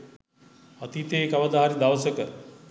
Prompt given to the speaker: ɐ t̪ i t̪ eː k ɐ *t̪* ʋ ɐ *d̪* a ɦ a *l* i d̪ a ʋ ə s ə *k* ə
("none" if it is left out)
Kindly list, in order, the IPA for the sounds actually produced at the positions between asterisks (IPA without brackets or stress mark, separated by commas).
none, d̪, ɾ, k